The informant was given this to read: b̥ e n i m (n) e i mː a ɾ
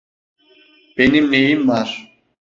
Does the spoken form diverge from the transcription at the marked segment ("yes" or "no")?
no